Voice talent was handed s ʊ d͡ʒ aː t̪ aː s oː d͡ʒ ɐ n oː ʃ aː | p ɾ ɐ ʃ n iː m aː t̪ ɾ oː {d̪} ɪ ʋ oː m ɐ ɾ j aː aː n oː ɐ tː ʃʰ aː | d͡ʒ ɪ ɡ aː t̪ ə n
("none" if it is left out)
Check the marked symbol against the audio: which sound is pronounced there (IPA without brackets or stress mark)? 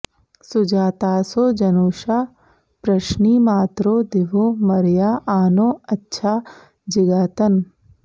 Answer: d̪